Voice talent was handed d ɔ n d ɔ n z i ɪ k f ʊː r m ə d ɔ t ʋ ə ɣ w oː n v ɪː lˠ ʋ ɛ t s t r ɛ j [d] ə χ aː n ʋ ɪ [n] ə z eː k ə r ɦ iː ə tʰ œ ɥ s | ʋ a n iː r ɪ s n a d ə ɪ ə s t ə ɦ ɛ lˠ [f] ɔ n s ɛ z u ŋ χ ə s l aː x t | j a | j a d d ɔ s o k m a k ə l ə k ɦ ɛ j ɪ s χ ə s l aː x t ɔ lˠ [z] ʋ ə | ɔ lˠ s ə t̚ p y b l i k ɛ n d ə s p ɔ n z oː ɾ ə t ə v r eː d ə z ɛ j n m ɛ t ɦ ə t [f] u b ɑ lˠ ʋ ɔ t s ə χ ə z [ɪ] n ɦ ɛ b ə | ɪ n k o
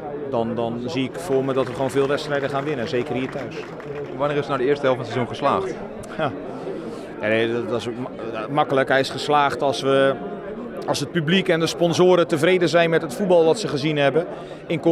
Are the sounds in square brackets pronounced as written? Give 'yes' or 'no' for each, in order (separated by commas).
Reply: yes, yes, yes, no, yes, no